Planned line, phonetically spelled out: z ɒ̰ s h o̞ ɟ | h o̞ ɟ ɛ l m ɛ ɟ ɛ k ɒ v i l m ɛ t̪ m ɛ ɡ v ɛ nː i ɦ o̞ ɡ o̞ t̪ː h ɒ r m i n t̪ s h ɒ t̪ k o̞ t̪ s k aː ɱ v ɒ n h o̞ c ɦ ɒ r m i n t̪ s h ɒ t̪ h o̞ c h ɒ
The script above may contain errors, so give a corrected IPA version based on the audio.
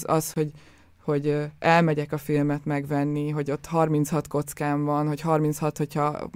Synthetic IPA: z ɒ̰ s h o̞ ɟ | h o̞ ɟ ɛ l m ɛ ɟ ɛ k ɒ f i l m ɛ t̪ m ɛ ɡ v ɛ nː i ɦ o̞ ɟ o̞ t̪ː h ɒ r m i n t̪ s h ɒ t̪ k o̞ t̪ s k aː ɱ v ɒ n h o̞ c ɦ ɒ r m i n t̪ s h ɒ t̪ h o̞ c h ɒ